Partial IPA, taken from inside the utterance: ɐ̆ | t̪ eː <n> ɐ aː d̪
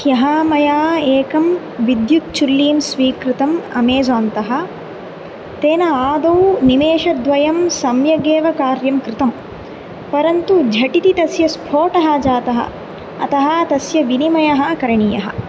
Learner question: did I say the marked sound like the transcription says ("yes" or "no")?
yes